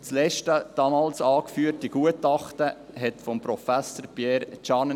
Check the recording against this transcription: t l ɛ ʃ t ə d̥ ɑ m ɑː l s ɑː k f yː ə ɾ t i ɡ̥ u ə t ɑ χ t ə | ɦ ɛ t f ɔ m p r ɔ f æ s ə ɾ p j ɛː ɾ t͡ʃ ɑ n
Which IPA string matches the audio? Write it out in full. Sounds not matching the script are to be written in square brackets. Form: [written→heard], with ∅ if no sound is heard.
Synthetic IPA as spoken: [t→t͡s] l ɛ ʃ t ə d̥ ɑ m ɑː l s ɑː k f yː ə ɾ t i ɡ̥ u ə t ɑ χ t ə | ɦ ɛ t f ɔ m p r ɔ f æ s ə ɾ p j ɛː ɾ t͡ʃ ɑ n